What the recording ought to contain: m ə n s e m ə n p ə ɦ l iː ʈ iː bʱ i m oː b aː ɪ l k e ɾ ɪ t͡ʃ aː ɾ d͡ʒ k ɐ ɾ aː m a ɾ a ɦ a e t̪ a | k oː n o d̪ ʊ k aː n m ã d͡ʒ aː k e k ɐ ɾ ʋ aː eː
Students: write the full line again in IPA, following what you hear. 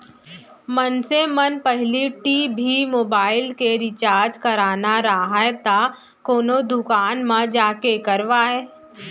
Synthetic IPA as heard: m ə n s e m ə n p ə ɦ l i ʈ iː bʱ i m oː b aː ɪ l k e ɾ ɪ t͡ʃ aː ɾ d͡ʒ k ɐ ɾ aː n a ɾ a ɦ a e t̪ a | k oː n o d̪ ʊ k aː n m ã d͡ʒ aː k e k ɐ ɾ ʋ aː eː